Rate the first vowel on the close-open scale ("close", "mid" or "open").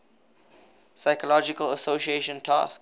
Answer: open